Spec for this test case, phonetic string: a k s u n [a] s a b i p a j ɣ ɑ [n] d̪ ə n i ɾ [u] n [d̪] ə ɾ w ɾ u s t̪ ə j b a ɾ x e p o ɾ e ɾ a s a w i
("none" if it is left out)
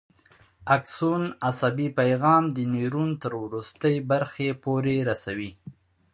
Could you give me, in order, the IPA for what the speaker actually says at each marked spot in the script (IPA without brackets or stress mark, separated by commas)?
a, m, u, t̪